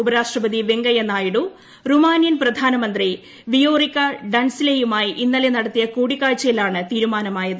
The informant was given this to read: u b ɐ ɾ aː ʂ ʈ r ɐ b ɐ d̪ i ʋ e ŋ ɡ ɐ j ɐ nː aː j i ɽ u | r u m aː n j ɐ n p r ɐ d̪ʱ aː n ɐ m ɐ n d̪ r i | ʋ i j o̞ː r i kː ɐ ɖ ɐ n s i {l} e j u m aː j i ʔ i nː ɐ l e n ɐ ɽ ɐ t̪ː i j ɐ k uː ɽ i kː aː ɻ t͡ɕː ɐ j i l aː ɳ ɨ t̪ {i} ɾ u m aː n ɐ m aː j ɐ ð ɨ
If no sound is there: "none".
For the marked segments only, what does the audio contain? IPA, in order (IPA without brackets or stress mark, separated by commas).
l, iː